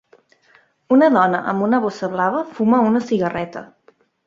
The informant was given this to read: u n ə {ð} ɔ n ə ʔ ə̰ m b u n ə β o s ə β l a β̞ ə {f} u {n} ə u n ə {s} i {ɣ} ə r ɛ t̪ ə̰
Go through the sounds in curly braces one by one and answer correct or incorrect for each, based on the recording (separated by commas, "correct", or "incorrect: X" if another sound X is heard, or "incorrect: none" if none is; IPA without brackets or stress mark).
correct, correct, incorrect: m, correct, correct